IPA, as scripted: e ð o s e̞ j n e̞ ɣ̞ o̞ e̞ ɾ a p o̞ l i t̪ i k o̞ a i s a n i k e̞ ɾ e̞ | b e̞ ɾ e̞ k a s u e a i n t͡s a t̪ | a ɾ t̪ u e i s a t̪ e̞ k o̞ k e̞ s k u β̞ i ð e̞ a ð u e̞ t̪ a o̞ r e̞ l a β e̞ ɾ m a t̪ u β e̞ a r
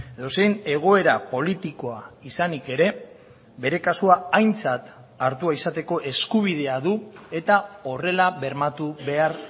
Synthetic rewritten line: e ð o s e̞ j n e̞ ɣ̞ o̞ e̞ ɾ a p o̞ l i t̪ i k o̞ a i s a n i k e̞ ɾ e̞ | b e̞ ɾ e̞ k a s u a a j n t͡s a t̪ | a ɾ t̪ u a i s a t̪ e̞ k o̞ ʔ e̞ s k u β̞ i ð e̞ a ð u e̞ t̪ a o̞ r e̞ l a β e̞ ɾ m a t̪ u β e̞ a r